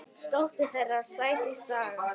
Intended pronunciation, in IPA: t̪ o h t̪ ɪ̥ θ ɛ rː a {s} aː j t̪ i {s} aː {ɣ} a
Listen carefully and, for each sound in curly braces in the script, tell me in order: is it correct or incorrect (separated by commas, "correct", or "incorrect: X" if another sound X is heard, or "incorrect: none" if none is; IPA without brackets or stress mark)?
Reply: correct, correct, correct